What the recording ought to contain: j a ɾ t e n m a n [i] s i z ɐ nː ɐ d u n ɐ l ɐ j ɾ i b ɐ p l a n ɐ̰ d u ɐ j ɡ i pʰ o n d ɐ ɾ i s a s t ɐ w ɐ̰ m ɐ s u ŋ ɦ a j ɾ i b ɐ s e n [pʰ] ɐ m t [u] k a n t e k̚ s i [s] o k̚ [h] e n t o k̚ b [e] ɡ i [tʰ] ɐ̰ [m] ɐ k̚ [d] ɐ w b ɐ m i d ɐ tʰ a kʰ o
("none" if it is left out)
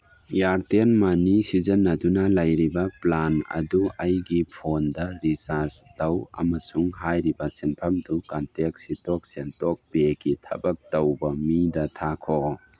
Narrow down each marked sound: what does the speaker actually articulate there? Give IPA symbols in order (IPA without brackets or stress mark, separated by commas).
i, pʰ, u, t, s, e, tʰ, b, t